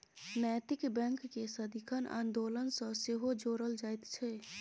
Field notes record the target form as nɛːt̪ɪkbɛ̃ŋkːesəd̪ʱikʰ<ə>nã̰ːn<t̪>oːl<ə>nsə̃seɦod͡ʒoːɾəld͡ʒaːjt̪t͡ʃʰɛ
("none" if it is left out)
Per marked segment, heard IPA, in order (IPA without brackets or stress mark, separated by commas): ə, d̪, ə